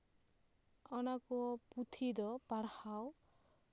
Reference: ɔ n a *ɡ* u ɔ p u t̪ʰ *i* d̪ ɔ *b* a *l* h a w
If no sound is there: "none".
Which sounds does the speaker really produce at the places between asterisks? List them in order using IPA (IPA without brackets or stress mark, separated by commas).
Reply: k, i, p, ɽ